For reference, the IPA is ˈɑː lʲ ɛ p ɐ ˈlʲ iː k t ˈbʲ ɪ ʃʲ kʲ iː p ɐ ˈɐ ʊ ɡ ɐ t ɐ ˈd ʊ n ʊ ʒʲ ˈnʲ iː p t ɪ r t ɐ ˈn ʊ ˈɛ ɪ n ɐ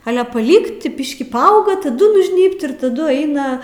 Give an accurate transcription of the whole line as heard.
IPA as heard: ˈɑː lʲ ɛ p ɐ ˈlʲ iː k t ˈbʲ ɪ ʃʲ kʲ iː p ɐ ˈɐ ʊ ɡ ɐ t ɐ ˈd ʊ n ʊ ʒʲ ˈnʲ iː p t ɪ r t ɐ ˈd ʊ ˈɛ ɪ n ɐ